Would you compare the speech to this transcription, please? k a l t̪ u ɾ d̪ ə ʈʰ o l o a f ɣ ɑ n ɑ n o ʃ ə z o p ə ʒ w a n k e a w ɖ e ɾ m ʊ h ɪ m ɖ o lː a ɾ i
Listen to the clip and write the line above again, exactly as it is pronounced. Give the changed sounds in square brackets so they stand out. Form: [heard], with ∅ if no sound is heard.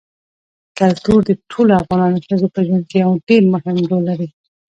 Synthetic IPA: k a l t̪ u ɾ d̪ ə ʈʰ o l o a f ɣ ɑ n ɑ n o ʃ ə z o p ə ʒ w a n k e a w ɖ e ɾ m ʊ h ɪ m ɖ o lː a ɾ i